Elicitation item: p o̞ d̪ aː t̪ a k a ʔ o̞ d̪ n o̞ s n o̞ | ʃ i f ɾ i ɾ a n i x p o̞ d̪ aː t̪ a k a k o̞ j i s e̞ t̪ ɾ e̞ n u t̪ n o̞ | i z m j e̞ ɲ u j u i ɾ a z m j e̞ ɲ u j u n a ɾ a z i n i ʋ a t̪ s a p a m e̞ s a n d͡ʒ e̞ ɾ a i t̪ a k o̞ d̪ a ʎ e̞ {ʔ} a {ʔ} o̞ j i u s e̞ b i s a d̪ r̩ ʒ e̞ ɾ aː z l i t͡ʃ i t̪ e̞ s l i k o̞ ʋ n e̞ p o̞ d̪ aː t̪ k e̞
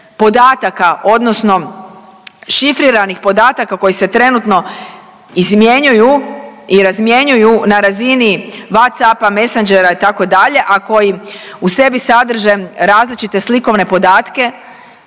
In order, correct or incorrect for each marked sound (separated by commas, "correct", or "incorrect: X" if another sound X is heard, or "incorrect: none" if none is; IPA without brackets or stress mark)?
correct, incorrect: k